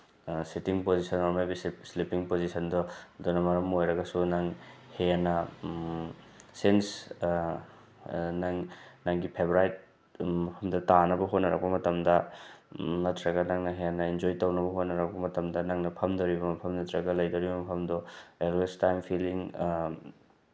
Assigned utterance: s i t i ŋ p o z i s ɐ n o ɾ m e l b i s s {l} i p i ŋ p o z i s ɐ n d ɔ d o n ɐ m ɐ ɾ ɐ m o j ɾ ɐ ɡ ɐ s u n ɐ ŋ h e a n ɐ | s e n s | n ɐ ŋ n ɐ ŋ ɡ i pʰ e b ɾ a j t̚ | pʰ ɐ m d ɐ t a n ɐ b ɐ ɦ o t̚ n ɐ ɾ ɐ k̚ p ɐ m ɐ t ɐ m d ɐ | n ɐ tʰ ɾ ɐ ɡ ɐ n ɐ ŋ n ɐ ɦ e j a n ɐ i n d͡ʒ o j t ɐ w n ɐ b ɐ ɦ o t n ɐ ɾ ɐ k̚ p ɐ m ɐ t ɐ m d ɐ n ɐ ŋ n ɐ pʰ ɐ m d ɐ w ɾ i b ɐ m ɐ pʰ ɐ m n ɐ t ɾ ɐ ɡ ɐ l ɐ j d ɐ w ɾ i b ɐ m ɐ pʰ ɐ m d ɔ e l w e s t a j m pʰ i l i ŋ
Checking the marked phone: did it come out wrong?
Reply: no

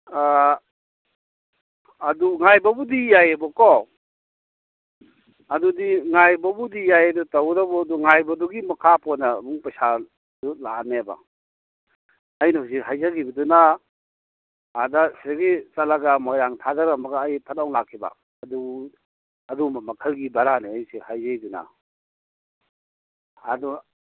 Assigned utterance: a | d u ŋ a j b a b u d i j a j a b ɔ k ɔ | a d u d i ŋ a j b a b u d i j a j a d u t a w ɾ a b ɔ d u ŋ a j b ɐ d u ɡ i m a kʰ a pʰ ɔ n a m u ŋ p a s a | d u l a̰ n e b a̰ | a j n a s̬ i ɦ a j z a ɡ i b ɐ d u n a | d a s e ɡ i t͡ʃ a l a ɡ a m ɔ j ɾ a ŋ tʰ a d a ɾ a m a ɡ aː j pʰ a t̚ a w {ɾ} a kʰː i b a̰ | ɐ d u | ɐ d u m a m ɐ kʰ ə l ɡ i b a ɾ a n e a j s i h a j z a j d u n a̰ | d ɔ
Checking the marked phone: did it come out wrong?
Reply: yes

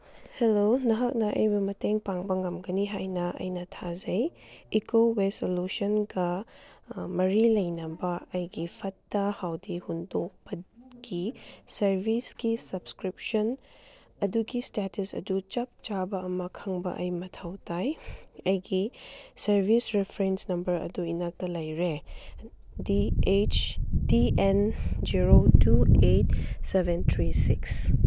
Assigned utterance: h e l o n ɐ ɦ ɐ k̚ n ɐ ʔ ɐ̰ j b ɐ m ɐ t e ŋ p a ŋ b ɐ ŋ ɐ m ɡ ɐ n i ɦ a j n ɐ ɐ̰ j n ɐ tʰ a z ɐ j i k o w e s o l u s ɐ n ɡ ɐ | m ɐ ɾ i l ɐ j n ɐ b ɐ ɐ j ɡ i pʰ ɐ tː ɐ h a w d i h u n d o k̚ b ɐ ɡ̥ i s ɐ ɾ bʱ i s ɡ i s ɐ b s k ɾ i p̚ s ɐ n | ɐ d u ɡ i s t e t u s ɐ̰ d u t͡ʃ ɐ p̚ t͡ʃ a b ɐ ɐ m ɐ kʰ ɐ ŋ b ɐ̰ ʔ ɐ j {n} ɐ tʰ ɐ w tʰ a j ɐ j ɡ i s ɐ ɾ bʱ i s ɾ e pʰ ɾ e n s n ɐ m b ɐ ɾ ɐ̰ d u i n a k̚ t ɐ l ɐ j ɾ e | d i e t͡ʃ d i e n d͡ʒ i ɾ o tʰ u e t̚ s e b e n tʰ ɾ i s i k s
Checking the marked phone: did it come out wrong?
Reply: yes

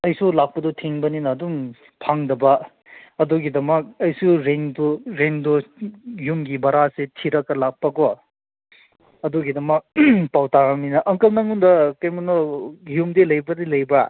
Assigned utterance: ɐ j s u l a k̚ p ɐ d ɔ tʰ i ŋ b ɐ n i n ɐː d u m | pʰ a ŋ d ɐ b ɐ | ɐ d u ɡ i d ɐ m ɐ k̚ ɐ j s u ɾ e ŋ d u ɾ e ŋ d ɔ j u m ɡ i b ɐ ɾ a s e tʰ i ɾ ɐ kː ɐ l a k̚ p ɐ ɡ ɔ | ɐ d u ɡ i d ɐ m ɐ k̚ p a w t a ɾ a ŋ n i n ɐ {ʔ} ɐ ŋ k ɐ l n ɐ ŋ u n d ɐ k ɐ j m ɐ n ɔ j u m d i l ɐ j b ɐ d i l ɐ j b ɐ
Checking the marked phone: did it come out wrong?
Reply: no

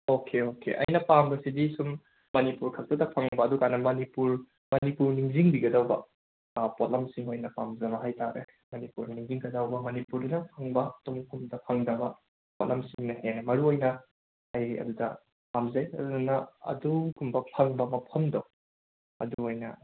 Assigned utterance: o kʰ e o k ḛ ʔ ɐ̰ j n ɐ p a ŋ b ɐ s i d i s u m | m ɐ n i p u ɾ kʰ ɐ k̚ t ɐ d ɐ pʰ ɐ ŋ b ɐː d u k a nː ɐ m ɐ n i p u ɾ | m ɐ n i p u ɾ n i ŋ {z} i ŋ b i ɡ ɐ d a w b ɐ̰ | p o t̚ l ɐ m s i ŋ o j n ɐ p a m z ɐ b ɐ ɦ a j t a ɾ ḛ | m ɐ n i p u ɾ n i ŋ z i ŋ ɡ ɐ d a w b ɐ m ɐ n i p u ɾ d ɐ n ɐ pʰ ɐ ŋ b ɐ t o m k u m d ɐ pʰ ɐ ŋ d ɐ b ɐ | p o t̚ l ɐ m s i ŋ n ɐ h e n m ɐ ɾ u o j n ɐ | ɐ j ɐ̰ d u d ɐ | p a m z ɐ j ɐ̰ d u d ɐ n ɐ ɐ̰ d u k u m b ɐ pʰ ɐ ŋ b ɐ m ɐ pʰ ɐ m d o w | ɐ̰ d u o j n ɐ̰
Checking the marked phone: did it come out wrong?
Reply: no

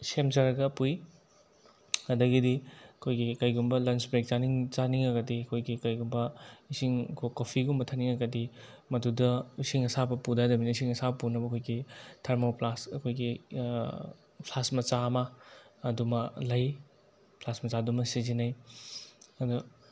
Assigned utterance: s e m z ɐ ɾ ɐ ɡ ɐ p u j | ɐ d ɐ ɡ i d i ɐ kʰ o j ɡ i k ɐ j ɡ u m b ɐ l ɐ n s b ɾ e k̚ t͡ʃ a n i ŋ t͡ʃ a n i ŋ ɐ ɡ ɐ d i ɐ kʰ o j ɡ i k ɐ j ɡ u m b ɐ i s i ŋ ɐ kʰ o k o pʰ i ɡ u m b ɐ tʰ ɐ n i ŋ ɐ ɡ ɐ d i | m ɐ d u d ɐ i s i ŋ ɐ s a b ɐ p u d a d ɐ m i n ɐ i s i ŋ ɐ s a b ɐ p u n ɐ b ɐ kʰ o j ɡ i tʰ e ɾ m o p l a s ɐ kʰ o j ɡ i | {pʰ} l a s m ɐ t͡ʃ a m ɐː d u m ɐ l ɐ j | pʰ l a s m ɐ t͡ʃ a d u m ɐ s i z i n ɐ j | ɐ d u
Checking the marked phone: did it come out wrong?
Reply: no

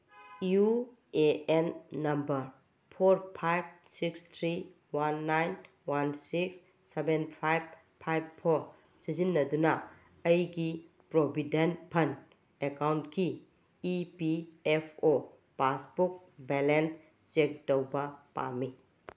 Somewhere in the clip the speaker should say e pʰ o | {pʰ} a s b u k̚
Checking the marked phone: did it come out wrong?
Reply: yes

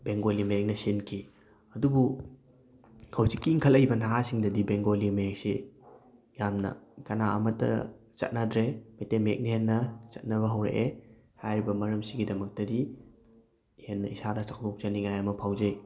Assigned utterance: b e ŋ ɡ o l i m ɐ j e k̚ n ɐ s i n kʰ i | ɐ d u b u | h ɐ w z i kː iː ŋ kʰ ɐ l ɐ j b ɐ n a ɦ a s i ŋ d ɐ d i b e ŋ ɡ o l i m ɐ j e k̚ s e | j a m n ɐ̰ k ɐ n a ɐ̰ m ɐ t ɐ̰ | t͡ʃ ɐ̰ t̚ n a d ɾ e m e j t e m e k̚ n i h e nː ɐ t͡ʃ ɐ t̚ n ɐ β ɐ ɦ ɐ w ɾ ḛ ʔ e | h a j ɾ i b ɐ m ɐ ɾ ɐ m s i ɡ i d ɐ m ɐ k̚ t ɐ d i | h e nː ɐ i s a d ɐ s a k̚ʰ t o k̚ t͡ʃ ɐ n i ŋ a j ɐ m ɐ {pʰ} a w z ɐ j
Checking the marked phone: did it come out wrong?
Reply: no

